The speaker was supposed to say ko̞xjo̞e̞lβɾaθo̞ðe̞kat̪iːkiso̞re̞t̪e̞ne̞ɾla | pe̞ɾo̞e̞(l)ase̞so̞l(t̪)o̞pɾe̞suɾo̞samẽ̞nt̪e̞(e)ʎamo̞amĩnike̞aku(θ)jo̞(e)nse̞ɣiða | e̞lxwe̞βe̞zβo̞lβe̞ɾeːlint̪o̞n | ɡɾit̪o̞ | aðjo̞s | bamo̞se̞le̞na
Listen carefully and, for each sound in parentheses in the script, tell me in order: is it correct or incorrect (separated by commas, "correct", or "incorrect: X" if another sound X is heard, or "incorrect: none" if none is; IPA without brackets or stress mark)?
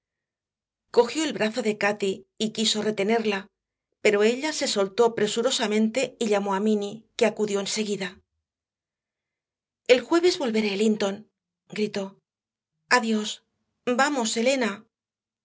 incorrect: ʎ, correct, incorrect: i, incorrect: ð, correct